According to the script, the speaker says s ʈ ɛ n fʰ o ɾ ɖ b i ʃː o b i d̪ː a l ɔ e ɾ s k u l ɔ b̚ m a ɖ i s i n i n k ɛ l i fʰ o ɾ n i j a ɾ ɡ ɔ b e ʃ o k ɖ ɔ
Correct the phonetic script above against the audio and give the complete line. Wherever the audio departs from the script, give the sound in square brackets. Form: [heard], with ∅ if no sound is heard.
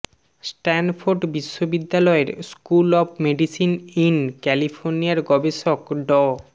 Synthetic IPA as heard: s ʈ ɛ n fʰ o ɾ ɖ b i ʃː o b i d̪ː a l ɔ e ɾ s k u l ɔ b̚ m [e] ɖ i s i n i n k ɛ l i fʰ o ɾ n i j a ɾ ɡ ɔ b e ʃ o k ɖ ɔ